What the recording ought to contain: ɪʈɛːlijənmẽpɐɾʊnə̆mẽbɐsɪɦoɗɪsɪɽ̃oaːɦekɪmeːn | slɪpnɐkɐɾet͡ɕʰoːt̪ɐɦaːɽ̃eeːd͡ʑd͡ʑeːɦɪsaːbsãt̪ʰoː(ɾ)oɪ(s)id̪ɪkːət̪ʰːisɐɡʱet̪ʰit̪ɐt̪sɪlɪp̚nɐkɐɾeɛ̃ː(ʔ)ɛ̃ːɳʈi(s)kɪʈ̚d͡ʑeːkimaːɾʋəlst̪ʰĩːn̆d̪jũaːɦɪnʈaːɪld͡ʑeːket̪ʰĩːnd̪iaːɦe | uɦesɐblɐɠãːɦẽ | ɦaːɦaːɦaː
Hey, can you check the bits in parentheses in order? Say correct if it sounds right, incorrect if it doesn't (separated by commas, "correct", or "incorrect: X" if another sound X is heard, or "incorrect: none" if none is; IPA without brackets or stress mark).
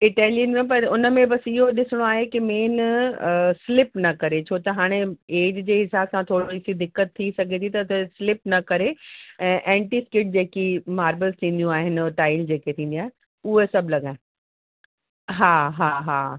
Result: incorrect: ɽ, correct, correct, correct